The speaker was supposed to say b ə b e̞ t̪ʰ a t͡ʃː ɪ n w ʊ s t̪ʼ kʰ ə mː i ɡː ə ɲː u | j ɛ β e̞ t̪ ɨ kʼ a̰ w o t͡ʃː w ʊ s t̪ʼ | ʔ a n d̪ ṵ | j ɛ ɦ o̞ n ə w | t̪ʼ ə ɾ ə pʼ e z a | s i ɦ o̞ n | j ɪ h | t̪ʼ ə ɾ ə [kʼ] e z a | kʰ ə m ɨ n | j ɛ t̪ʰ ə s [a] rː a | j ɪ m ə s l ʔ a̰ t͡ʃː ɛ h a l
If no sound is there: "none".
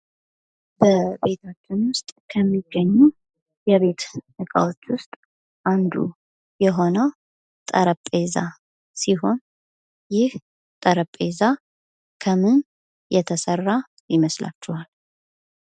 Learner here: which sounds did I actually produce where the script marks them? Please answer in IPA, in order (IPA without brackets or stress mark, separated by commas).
pʼ, ə